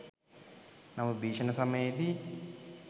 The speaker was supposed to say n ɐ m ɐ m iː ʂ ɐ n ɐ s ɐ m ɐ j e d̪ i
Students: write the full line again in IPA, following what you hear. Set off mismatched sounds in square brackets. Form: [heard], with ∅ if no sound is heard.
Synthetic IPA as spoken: n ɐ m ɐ [b] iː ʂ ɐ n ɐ s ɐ m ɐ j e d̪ i